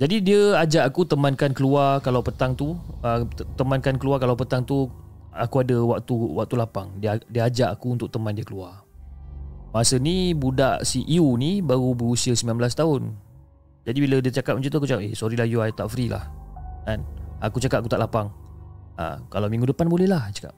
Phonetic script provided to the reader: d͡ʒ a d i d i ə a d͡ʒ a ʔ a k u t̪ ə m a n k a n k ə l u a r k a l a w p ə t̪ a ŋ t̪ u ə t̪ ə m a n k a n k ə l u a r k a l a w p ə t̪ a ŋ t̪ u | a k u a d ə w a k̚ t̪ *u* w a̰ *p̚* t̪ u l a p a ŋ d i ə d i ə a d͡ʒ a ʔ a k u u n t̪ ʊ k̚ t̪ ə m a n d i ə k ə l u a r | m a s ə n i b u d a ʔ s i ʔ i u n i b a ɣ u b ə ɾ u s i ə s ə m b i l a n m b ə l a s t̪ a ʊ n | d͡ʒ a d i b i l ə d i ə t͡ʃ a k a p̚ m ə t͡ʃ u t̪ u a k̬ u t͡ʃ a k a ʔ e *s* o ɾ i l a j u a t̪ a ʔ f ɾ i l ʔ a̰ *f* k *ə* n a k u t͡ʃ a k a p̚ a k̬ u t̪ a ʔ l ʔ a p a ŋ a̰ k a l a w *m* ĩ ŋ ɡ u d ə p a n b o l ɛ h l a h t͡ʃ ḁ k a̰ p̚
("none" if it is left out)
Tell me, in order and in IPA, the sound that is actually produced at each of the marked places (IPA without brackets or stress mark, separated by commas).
u, k̚, s, h, a, m